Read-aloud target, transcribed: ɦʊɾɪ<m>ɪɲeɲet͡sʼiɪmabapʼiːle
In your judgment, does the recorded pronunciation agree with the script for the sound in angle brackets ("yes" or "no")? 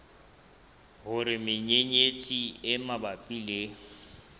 yes